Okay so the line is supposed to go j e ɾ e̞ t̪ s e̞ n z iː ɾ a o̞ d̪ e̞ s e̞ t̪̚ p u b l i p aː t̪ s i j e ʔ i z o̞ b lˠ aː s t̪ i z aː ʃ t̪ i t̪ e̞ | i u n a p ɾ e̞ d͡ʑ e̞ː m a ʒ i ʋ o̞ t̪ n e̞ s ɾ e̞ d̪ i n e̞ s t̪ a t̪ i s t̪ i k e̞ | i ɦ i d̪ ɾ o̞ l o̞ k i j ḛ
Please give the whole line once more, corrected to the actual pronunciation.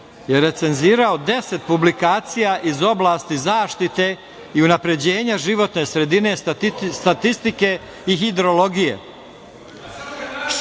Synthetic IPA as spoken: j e ɾ e̞ t̪ s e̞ n z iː ɾ a o̞ d̪ e̞ s e̞ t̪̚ p u b l i k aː t̪ s i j a ʔ i z o̞ b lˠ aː s t̪ i z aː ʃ t̪ i t̪ e̞ | i u n a p ɾ e̞ d͡ʑ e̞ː ɲ a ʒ i ʋ o̞ t̪ n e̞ s ɾ e̞ d̪ i n e̞ s t̪ a t̪ i s t̪ i k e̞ | i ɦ i d̪ ɾ o̞ l o̞ ɡ i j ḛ